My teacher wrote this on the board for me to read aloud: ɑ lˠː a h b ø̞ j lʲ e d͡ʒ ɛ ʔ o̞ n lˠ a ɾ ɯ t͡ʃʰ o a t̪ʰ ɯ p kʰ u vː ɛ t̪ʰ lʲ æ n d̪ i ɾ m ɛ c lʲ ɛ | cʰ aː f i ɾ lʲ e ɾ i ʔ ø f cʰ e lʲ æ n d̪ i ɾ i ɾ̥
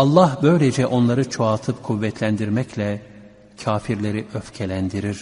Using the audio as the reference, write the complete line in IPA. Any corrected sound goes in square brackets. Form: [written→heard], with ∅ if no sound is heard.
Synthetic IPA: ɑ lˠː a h b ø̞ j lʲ e d͡ʒ ɛ ʔ o̞ n lˠ a ɾ ɯ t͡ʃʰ o a t̪ʰ ɯ p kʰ u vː ɛ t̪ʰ lʲ æ n d̪ i ɾ m ɛ c lʲ ɛ | cʰ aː f i ɾ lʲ e ɾ i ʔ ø f cʰ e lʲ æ n d̪ i ɾ i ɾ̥